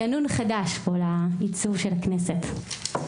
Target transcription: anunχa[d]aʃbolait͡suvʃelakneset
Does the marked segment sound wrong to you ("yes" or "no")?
no